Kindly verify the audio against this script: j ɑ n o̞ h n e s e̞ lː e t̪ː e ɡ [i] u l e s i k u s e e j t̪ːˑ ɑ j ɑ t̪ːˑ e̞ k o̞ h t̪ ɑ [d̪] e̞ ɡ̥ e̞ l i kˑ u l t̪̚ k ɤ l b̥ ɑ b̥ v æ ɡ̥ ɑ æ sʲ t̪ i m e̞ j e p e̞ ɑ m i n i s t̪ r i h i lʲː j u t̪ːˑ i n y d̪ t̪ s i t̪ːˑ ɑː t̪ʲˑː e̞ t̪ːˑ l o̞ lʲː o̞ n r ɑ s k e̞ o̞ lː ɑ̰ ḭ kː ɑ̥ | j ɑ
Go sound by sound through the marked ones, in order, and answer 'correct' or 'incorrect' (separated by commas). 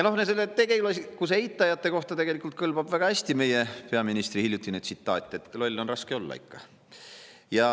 incorrect, incorrect